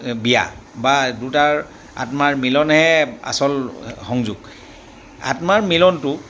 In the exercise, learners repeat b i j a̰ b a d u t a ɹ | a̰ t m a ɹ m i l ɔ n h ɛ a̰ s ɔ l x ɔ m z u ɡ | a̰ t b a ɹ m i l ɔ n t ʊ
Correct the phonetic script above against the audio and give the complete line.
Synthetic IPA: b i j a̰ b a d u t a ɹ | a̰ t m a ɹ m i l ɔ n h ɛ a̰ s ɔ l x ɔ ŋ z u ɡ | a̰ t m a ɹ m i l ɔ n t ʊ